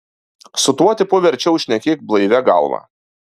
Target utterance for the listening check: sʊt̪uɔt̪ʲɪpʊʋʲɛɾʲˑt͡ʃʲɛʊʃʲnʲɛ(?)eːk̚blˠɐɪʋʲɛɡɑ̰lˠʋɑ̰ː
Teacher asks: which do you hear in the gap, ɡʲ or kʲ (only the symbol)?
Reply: kʲ